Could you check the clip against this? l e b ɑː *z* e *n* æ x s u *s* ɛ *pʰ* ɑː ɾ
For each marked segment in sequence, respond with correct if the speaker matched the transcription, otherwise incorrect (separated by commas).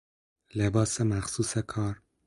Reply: incorrect, incorrect, correct, incorrect